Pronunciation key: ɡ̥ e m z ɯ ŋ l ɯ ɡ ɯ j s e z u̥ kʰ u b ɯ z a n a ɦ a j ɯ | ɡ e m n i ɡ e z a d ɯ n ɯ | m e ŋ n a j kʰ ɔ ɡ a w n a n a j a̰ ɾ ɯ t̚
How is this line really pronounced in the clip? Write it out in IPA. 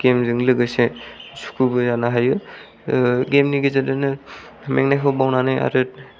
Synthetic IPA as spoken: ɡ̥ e m z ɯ ŋ l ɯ ɡ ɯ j s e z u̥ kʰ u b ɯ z a n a ɦ a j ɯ | ɡ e m n i ɡ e z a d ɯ n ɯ | m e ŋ n a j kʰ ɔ b a w n a n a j a̰ ɾ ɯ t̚